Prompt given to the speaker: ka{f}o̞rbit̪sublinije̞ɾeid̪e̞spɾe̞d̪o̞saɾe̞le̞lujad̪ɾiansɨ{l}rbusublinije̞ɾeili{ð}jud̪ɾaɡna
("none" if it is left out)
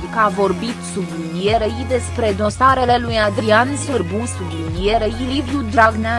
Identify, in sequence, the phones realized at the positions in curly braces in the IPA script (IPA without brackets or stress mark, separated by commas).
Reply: v, none, v